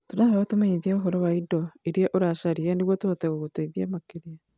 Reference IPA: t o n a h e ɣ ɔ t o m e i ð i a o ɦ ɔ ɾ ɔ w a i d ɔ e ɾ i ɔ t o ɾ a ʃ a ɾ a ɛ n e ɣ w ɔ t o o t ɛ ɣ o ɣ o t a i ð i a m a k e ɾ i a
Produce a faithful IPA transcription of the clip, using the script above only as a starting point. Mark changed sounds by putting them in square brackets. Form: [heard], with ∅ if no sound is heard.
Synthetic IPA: t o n a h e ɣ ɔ t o m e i ð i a o ɦ ɔ ɾ ɔ w a i d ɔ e ɾ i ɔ [ʔ] o ɾ a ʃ a ɾ [i] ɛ n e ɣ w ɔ t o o t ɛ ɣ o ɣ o t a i ð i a m a k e ɾ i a